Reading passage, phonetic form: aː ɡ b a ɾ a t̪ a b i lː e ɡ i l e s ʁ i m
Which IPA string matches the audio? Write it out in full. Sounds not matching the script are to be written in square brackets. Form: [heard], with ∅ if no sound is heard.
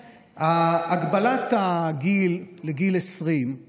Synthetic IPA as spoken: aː ɡ b a [l] a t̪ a [ɡ] i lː e ɡ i l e s ʁ i m